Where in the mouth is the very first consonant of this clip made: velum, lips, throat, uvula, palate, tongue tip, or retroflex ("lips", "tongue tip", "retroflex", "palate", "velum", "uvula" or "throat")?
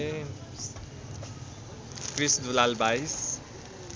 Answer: velum